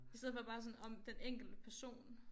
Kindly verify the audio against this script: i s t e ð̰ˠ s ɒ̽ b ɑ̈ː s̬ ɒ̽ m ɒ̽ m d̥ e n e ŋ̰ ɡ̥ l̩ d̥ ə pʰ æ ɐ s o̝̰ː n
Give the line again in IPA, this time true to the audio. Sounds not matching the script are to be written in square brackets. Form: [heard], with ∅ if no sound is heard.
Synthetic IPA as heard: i s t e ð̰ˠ [f] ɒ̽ b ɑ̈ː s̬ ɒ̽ [n] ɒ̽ m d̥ e n e ŋ̰ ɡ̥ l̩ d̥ ə pʰ æ ɐ s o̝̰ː n

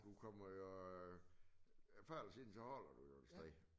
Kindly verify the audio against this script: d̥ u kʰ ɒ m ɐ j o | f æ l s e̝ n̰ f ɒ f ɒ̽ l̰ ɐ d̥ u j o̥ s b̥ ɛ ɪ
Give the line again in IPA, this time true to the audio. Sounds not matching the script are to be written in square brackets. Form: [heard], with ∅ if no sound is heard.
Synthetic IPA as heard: d̥ u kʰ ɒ m ɐ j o | f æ l s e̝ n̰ [s] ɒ [h] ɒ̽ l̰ ɐ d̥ u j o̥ s [d̥] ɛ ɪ

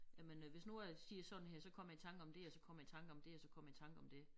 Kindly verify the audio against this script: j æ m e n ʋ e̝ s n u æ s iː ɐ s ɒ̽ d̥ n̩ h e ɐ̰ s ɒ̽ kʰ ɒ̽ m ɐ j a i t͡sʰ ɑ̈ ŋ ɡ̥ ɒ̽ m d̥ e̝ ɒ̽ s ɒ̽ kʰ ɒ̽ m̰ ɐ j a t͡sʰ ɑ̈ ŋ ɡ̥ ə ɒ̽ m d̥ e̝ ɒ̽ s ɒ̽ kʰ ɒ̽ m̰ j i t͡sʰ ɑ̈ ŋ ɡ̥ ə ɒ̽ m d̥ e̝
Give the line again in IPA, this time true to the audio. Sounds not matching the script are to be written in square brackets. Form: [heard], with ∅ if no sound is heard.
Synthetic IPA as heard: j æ m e n ʋ e̝ s n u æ s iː ɐ s ɒ̽ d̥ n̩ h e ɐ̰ s ɒ̽ kʰ ɒ̽ m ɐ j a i t͡sʰ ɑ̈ ŋ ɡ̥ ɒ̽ m d̥ e̝ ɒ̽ s ɒ̽ kʰ ɒ̽ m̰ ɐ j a t͡sʰ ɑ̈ ŋ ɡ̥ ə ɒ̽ m d̥ e̝ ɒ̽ s ɒ̽ kʰ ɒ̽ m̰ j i t͡sʰ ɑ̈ ŋ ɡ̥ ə ɒ̽ m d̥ e̝

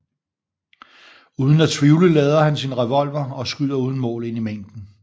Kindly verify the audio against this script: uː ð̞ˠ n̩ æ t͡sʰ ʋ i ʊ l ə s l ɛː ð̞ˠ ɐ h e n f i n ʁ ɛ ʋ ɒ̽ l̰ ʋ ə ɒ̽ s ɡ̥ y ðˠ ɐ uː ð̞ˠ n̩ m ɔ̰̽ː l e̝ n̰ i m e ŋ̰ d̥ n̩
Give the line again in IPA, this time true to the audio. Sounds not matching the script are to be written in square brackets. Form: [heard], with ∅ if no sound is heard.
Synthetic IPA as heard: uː ð̞ˠ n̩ æ t͡sʰ ʋ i ʊ l ə [∅] l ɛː ð̞ˠ ɐ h [æ] n [s] i n ʁ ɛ ʋ ɒ̽ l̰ ʋ [ɐ] ɒ̽ s ɡ̥ y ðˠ ɐ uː ð̞ˠ n̩ m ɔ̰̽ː l e̝ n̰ i m e ŋ̰ d̥ n̩

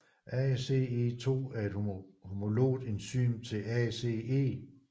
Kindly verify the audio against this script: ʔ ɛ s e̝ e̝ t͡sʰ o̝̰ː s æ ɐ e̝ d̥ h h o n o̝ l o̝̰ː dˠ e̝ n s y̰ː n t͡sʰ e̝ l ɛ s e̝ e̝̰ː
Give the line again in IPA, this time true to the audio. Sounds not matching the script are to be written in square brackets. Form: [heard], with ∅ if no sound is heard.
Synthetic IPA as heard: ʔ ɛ s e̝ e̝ t͡sʰ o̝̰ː [∅] æ ɐ e̝ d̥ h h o [m] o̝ l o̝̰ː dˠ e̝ n s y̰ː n t͡sʰ e̝ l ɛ s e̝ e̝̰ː

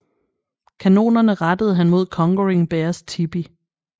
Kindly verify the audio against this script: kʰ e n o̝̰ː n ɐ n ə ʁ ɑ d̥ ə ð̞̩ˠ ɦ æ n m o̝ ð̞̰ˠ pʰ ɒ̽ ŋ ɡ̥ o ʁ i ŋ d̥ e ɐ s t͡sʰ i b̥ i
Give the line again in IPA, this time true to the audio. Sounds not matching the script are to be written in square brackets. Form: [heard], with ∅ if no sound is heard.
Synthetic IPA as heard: kʰ [æ] n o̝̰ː n ɐ n ə ʁ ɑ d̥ ə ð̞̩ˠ ɦ æ n m o̝ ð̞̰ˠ [kʰ] ɒ̽ ŋ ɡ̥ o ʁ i ŋ [b̥] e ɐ s t͡sʰ i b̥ i

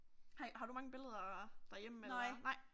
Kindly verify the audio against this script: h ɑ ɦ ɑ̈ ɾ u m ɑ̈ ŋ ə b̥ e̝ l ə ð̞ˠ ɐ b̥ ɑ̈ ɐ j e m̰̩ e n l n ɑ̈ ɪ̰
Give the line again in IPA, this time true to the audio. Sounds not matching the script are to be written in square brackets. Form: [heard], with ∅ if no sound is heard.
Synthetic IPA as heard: h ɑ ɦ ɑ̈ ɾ u m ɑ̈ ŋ ə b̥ e̝ l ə ð̞ˠ ɐ [d̥] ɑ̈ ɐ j e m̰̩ e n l n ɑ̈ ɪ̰

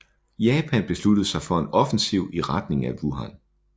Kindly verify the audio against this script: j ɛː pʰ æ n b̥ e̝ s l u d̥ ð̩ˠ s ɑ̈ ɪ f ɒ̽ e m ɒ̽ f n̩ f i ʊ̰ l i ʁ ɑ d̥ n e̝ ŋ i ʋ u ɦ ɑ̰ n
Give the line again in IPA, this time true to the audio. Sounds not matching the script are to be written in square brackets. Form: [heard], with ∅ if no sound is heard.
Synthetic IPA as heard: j ɛː pʰ æ n b̥ e̝ s l u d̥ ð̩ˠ s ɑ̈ ɪ f ɒ̽ e [n] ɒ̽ f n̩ [s] i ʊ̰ [∅] i ʁ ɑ d̥ n e̝ ŋ [æ] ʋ u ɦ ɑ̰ n

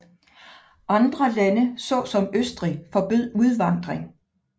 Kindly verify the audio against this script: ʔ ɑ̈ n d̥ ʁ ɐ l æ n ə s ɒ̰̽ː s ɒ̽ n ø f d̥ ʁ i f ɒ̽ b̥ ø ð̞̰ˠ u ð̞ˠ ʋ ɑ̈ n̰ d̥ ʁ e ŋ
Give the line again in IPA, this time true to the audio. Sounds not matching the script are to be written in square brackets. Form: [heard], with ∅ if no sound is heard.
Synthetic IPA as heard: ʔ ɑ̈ n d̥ ʁ ɐ l æ n ə s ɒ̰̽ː s ɒ̽ [m] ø [s] d̥ ʁ i f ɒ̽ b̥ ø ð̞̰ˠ u ð̞ˠ ʋ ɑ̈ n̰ d̥ ʁ e ŋ

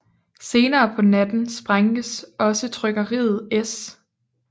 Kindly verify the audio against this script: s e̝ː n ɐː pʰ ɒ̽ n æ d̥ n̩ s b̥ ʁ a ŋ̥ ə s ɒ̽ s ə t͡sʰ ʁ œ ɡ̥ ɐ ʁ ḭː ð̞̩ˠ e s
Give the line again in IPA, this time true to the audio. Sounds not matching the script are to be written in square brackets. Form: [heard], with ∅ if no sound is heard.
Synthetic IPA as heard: s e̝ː n ɐː pʰ ɒ̽ n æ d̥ n̩ s b̥ ʁ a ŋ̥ ə s ɒ̽ s ə t͡sʰ ʁ œ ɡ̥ ɐ ʁ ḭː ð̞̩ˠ e s

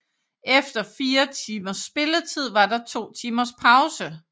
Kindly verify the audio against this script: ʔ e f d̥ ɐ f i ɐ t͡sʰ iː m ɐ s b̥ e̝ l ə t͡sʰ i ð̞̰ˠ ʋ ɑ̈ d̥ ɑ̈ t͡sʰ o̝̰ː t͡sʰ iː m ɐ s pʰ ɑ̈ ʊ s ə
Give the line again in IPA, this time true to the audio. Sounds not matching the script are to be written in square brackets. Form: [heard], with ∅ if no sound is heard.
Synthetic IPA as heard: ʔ e f d̥ ɐ f [iː] ɐ t͡sʰ iː m ɐ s b̥ e̝ l ə t͡sʰ i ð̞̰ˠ ʋ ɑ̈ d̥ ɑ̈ t͡sʰ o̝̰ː t͡sʰ iː m ɐ s pʰ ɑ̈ ʊ s ə

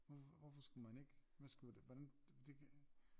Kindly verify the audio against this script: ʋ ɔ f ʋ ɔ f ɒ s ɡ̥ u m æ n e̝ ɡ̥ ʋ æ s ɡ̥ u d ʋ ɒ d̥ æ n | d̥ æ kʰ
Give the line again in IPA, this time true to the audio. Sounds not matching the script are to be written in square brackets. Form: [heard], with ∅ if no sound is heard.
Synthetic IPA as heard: ʋ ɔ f ʋ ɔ f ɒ s ɡ̥ u m æ n e̝ ɡ̥ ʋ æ s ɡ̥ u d ʋ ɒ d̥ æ n | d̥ [e] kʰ

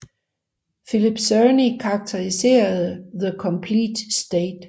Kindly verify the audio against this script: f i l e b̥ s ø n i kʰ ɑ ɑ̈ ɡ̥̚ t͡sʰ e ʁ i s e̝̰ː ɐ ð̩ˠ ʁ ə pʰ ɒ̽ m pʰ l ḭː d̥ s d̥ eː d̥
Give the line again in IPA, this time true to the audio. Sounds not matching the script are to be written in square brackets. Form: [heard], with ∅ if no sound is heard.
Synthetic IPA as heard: f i l [i] b̥ s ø n i kʰ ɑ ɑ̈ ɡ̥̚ t͡sʰ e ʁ i s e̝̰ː ɐ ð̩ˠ [ð] ə [kʰ] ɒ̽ m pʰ l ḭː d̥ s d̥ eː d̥

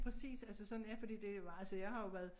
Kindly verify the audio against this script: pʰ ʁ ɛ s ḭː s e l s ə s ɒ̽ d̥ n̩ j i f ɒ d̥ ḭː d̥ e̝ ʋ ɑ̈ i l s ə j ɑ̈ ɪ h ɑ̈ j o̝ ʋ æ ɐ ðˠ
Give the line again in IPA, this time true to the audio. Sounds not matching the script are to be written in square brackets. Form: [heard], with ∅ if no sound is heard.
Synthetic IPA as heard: pʰ ʁ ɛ s ḭː s [æ] l s ə s ɒ̽ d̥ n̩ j [æ] f ɒ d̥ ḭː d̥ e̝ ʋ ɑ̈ [æ] l s ə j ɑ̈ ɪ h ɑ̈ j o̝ ʋ æ ɐ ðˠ

